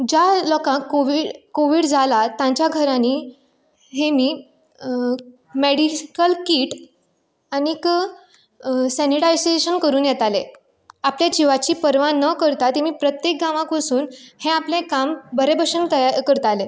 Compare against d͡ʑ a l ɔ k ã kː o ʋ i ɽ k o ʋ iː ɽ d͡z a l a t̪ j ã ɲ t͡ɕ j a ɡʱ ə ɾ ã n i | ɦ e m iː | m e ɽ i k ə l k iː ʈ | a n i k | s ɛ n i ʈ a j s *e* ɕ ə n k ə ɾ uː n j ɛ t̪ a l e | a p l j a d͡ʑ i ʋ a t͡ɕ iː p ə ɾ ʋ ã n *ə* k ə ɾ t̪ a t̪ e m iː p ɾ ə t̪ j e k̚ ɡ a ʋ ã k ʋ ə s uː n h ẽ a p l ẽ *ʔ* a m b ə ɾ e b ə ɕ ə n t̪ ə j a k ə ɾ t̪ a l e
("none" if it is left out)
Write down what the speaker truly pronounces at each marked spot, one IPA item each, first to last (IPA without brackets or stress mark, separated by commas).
e, ə, k